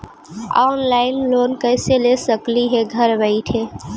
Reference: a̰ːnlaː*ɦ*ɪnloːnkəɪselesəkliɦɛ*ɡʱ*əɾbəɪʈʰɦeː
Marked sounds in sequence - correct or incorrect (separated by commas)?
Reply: incorrect, correct